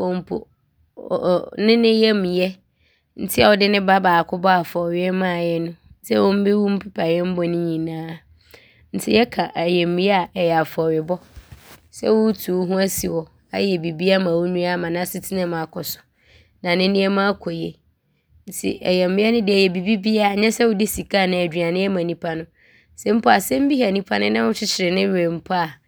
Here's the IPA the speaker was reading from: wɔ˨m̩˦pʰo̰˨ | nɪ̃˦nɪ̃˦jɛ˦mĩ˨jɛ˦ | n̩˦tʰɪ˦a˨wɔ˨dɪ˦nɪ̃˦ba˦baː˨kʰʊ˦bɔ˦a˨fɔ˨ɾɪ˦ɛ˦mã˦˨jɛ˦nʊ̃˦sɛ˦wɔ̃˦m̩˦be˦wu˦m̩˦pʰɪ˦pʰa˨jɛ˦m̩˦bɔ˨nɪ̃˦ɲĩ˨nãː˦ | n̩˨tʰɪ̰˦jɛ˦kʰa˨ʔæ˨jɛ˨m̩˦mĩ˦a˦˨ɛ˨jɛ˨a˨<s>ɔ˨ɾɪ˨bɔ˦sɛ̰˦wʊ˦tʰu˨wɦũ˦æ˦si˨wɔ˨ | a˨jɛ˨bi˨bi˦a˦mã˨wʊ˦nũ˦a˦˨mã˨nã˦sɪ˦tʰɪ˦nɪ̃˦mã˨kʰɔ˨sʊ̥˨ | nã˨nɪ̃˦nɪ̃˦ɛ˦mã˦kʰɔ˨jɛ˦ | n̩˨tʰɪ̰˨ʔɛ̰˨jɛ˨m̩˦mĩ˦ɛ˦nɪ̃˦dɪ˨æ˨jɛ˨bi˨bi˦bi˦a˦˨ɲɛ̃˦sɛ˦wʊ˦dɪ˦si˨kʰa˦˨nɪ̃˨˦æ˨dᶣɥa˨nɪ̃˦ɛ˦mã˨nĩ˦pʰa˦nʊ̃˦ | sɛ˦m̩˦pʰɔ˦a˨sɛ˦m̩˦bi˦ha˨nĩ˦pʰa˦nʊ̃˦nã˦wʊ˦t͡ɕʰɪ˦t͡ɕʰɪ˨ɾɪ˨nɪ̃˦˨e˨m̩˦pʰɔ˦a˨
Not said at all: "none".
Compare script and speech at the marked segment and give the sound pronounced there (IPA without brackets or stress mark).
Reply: f